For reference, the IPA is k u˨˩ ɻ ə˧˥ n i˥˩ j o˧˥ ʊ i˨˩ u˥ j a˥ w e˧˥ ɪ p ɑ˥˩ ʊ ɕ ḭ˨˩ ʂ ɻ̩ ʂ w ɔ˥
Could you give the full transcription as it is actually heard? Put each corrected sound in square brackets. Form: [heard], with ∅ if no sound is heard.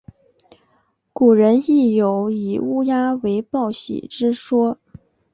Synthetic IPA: k u˨˩ ɻ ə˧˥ n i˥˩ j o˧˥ ʊ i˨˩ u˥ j a˥ w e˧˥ ɪ p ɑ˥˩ ʊ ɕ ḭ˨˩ [ʈ͡ʂ] ɻ̩ ʂ w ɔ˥